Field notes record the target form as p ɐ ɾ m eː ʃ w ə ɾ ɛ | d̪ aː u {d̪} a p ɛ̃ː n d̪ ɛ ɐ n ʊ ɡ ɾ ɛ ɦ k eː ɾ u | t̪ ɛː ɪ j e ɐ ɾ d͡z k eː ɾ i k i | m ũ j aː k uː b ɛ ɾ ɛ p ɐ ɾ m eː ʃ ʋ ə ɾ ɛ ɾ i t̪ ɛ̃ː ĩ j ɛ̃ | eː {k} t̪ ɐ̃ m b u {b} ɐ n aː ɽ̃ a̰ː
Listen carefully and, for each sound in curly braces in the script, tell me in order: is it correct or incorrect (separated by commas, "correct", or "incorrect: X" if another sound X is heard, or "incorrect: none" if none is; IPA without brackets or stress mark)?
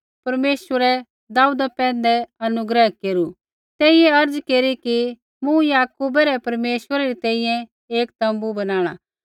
correct, correct, correct